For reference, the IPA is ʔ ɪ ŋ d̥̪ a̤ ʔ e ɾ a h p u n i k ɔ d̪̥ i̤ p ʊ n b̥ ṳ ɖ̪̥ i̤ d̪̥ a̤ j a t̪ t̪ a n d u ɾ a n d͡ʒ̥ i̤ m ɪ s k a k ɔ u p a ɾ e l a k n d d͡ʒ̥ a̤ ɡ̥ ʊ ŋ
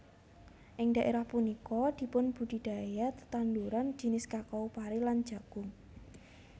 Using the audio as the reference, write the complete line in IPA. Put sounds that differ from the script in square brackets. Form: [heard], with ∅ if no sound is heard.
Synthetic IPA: ʔ ɪ ŋ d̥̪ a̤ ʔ e ɾ a h p u n i k ɔ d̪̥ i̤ p ʊ n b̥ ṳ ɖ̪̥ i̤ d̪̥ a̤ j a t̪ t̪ a n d u ɾ a n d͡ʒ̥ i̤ [n] ɪ s k a k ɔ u p a ɾ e l a [∅] n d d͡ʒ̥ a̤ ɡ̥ ʊ ŋ